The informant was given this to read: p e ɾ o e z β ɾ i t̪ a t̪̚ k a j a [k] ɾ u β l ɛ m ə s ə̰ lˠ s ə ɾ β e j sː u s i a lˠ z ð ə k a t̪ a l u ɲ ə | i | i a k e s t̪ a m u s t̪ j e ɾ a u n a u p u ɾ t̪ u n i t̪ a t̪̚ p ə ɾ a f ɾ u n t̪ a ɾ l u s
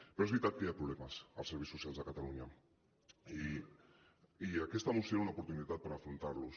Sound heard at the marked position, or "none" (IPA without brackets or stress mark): p